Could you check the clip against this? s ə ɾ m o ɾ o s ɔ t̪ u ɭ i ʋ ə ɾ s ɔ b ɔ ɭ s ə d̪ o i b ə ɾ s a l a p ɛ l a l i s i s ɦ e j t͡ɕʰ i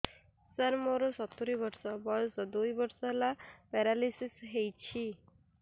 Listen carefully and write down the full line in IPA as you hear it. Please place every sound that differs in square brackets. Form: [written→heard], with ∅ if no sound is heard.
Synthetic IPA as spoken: s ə ɾ m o ɾ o s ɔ t̪ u [ɭ→ɾ] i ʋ ə ɾ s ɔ b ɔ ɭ s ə d̪ o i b ə ɾ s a l a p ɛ [l→ɾ] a l i s i s ɦ e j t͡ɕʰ i